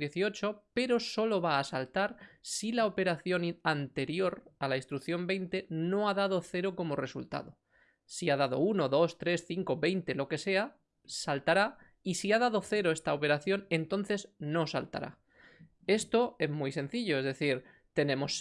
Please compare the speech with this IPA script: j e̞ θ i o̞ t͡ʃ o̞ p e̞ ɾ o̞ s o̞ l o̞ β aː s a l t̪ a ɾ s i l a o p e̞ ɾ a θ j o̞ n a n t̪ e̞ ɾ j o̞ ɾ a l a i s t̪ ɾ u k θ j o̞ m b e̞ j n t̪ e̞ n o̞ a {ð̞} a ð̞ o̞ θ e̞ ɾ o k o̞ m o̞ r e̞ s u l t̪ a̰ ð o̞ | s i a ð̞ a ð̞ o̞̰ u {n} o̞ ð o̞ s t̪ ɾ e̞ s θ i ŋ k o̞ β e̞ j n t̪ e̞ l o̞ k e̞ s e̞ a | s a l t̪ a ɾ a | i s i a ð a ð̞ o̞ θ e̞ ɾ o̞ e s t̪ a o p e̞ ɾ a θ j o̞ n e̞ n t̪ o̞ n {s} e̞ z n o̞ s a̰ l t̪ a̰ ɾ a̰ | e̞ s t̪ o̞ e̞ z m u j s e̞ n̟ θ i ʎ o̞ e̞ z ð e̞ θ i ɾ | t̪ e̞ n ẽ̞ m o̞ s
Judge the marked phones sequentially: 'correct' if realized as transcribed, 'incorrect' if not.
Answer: correct, correct, incorrect

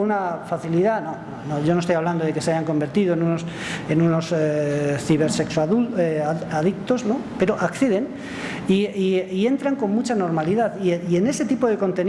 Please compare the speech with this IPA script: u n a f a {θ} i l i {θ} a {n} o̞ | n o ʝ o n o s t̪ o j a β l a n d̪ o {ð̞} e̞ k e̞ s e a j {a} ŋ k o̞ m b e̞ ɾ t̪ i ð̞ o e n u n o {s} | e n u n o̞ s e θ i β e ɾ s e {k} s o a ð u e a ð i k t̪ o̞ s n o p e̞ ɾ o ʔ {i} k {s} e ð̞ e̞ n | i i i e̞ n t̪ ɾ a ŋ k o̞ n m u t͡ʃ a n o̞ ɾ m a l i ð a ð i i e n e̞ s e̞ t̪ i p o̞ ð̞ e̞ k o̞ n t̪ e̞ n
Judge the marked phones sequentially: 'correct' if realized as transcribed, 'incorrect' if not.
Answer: correct, incorrect, correct, correct, correct, correct, correct, incorrect, incorrect

